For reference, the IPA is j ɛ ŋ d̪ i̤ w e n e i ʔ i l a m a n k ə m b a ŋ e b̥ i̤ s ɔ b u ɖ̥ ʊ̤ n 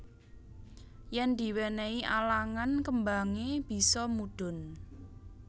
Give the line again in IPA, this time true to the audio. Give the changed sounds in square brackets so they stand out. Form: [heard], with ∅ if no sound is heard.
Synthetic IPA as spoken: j ɛ [n] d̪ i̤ w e n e i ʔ [a] l a [ŋ] a n k ə m b a ŋ e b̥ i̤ s ɔ [m] u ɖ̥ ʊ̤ n